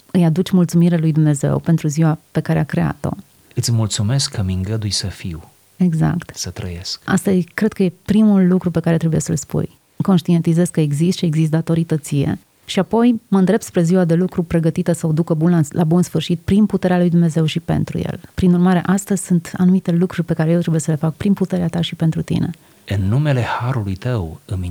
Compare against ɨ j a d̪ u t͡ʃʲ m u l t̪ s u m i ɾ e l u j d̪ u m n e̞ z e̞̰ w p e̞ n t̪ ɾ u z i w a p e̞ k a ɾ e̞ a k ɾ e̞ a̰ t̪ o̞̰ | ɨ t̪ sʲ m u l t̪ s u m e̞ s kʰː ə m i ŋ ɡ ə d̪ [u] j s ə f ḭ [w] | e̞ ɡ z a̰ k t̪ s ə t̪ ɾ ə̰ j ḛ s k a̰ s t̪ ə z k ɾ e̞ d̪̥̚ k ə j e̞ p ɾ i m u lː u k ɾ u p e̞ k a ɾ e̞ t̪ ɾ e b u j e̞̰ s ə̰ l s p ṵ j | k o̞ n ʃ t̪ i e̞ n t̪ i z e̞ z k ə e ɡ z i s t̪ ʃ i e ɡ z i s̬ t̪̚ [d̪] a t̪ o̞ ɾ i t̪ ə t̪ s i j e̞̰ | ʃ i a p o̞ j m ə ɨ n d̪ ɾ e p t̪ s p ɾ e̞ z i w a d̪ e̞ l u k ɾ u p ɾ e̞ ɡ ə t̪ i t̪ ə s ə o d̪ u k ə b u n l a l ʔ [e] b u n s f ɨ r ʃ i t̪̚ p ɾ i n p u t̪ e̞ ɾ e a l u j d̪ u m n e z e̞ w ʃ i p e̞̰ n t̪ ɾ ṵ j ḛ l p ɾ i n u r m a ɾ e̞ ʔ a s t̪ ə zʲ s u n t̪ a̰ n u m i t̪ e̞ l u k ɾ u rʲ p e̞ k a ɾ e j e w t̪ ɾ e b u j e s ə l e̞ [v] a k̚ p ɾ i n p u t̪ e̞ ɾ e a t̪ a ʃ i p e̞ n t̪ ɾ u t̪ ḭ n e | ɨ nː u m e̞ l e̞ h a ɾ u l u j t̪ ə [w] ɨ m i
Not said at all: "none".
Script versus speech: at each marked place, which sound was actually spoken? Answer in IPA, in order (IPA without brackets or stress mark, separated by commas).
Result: u, w, d̪, a, f, w